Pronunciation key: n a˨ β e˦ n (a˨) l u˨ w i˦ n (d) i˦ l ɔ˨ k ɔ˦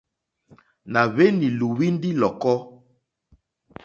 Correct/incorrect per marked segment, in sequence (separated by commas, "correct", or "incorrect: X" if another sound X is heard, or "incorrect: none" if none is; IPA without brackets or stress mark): incorrect: i˨, correct